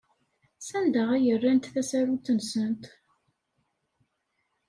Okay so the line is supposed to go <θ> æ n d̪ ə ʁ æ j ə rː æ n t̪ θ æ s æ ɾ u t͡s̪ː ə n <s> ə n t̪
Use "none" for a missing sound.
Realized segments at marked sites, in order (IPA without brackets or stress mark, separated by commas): s, s